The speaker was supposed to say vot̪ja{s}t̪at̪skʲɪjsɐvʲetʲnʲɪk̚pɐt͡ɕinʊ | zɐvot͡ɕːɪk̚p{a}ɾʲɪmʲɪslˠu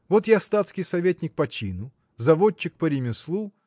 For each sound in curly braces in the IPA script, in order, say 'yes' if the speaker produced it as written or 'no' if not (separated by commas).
yes, no